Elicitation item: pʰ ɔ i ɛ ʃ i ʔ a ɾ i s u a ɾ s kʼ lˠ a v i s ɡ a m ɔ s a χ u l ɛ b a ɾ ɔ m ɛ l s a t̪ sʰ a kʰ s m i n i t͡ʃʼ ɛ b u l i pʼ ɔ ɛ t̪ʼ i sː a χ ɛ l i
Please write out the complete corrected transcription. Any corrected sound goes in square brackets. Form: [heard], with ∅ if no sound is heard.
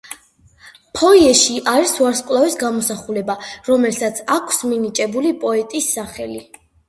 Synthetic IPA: pʰ ɔ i ɛ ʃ i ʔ a ɾ i s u a ɾ s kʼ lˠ a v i s ɡ a m ɔ s a χ u l ɛ b a ɾ ɔ m ɛ l s a t̪ sʰ a kʰ s m i n i t͡ʃʼ ɛ b u l i pʼ ɔ ɛ t̪ʼ i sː a χ ɛ l i

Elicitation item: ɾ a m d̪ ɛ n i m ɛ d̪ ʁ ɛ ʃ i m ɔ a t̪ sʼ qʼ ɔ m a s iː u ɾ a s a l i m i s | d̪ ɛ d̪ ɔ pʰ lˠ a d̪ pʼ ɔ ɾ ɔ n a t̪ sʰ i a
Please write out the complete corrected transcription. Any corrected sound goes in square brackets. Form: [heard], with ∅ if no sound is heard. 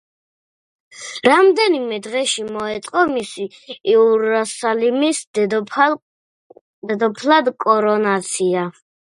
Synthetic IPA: ɾ a m d̪ ɛ n i m ɛ d̪ ʁ ɛ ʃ i m ɔ [ɛ] t̪ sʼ qʼ ɔ m [i] s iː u ɾ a s a l i m i s | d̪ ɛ d̪ ɔ pʰ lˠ a d̪ [kʼ] ɔ ɾ ɔ n a t̪ sʰ i a

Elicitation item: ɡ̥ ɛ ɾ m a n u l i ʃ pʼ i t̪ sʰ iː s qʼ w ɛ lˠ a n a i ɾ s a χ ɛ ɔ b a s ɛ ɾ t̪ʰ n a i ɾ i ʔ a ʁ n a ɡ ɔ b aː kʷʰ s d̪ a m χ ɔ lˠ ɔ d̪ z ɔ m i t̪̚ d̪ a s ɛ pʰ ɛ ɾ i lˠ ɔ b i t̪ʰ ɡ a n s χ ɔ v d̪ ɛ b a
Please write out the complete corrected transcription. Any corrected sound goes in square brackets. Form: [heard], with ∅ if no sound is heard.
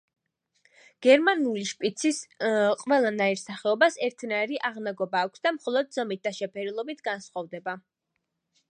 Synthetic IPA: ɡ̥ ɛ ɾ m a n u l i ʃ pʼ i t̪ sʰ [i] s qʼ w ɛ lˠ a n a i ɾ s a χ ɛ ɔ b a s ɛ ɾ t̪ʰ n a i ɾ i ʔ a ʁ n a ɡ ɔ b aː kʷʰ s d̪ a m χ ɔ lˠ ɔ d̪ z ɔ m i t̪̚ d̪ a [ʃ] ɛ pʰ ɛ ɾ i lˠ ɔ b i t̪ʰ ɡ a n s χ ɔ v d̪ ɛ b a

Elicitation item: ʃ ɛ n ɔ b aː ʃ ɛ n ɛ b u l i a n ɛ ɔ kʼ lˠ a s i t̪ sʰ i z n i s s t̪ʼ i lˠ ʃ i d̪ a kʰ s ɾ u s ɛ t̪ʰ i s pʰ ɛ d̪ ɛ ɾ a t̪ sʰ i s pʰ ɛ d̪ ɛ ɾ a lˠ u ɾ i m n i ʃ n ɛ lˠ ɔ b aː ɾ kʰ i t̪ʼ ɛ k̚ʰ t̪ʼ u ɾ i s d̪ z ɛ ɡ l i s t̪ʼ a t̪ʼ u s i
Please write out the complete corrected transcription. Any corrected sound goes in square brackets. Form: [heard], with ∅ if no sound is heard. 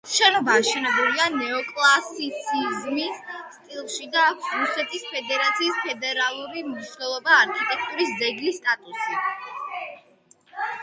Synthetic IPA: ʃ ɛ n ɔ b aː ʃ ɛ n ɛ b u l i a n ɛ ɔ kʼ lˠ a s i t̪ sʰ i z [m] i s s t̪ʼ i lˠ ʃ i d̪ a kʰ s ɾ u s ɛ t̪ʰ i s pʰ ɛ d̪ ɛ ɾ a t̪ sʰ [iː] s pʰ ɛ d̪ ɛ ɾ a lˠ u ɾ i m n i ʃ n ɛ lˠ ɔ b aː ɾ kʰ i t̪ʼ ɛ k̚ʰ t̪ʼ u ɾ i s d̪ z ɛ ɡ l i s t̪ʼ a t̪ʼ u s i

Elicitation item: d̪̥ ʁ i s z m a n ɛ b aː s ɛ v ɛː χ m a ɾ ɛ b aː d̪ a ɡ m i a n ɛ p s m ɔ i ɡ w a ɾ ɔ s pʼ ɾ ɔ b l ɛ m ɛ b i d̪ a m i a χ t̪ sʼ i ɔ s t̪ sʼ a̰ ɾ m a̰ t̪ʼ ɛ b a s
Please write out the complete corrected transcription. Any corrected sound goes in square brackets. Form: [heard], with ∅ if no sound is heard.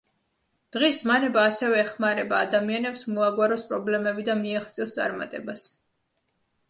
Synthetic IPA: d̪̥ ʁ i s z m a n ɛ b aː s ɛ v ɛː χ m a ɾ ɛ b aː d̪ a [∅] m i a n ɛ p s m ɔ [a] ɡ w a ɾ ɔ s pʼ ɾ ɔ b l ɛ m ɛ b i d̪ a m i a χ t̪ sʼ i ɔ s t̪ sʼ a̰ ɾ m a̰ t̪ʼ ɛ b a s

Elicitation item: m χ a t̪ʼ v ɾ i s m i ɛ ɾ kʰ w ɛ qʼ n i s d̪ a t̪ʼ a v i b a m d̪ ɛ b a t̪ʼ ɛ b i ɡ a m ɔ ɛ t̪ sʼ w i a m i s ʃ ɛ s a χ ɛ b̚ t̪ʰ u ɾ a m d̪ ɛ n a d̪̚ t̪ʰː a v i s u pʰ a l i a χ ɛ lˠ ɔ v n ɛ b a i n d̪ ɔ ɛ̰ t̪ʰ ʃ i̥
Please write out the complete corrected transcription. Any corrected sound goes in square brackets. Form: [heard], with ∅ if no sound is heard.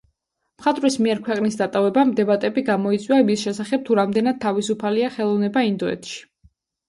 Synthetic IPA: m χ a t̪ʼ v ɾ i s m i ɛ ɾ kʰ w ɛ qʼ n i s d̪ a t̪ʼ a v [ɛ] b a m d̪ ɛ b a t̪ʼ ɛ b i ɡ a m ɔ [i] t̪ sʼ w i a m i s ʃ ɛ s a χ ɛ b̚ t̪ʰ u ɾ a m d̪ ɛ n a d̪̚ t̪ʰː a v i s u pʰ a l i a χ ɛ lˠ ɔ v n ɛ b a i n d̪ ɔ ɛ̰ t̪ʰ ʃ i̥

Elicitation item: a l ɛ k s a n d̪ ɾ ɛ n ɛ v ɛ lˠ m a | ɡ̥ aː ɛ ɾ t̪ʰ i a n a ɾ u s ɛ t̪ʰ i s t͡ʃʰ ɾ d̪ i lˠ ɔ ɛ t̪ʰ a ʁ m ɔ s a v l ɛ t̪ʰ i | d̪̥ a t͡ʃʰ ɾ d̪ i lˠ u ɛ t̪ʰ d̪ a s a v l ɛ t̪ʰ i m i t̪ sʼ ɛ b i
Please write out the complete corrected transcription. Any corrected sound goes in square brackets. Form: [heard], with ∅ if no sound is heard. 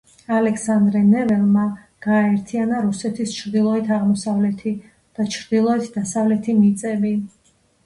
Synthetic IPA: a l ɛ k s a n d̪ ɾ ɛ n ɛ v ɛ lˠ m a | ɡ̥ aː ɛ ɾ t̪ʰ i a n a ɾ u s ɛ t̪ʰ i s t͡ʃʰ ɾ d̪ i lˠ ɔ ɛ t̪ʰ a ʁ m ɔ s a v l ɛ t̪ʰ i | d̪̥ a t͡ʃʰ ɾ d̪ i lˠ [ɔ] ɛ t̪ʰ d̪ a s a v l ɛ t̪ʰ i m i t̪ sʼ ɛ b i

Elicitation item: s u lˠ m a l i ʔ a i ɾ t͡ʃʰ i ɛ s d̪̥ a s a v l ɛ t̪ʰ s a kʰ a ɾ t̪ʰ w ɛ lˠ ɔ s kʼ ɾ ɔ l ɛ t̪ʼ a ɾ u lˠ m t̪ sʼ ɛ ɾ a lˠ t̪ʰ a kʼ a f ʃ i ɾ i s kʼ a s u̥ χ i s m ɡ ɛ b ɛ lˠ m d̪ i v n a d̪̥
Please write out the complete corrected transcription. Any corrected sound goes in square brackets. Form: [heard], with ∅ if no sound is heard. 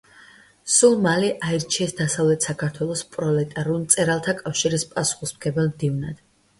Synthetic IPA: s u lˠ m a l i ʔ a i ɾ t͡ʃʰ i ɛ s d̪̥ a s a v l ɛ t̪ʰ s a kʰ a ɾ t̪ʰ w ɛ lˠ ɔ s [pʼ] ɾ ɔ l ɛ t̪ʼ a ɾ u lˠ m t̪ sʼ ɛ ɾ a lˠ t̪ʰ a kʼ a f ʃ i ɾ i s [pʼ] a s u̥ χ i s m ɡ ɛ b ɛ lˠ m d̪ i v n a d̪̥

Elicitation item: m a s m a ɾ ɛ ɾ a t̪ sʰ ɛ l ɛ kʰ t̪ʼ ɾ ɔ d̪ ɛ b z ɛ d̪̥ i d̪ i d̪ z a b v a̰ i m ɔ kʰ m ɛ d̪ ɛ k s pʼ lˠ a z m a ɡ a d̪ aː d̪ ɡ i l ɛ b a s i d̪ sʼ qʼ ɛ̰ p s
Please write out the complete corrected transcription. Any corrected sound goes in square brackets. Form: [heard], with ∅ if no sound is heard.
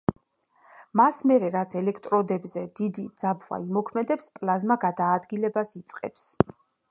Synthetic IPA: m a s m [ɛ] ɾ ɛ ɾ a t̪ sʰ ɛ l ɛ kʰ t̪ʼ ɾ ɔ d̪ ɛ b z ɛ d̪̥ i d̪ i d̪ z a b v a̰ i m ɔ kʰ m ɛ d̪ ɛ [p] s pʼ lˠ a z m a ɡ a d̪ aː d̪ ɡ i l ɛ b a s i [t̪] sʼ qʼ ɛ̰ p s

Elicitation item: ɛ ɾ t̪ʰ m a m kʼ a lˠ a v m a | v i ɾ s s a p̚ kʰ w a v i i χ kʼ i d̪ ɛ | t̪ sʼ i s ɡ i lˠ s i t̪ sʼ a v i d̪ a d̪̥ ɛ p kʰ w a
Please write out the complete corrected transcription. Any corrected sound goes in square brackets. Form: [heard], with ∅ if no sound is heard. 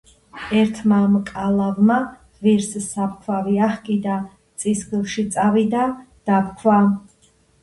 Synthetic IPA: ɛ ɾ t̪ʰ m a m kʼ a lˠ a v m a | v i ɾ s s a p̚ kʰ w a v i [a] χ kʼ i d̪ [a] | t̪ sʼ i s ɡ i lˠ [ʃ] i t̪ sʼ a v i d̪ a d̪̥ [a] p kʰ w a

